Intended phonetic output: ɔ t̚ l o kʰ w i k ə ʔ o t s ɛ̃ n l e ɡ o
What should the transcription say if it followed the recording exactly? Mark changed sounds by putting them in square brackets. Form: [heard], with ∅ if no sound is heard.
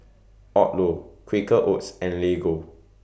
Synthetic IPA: ɔ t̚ l o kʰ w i k ə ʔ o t s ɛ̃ n l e ɡ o